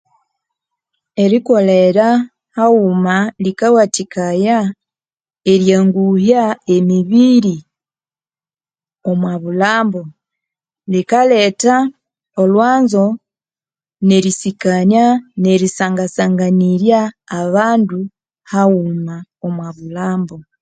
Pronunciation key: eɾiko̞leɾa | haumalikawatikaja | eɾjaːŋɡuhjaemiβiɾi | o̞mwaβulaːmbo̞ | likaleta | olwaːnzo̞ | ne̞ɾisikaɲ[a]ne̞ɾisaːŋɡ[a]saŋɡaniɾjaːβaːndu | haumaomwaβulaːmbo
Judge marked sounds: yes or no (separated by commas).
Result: yes, yes